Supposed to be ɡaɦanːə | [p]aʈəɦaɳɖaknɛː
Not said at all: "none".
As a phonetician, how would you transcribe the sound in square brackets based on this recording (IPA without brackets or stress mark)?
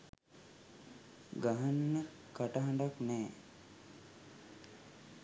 k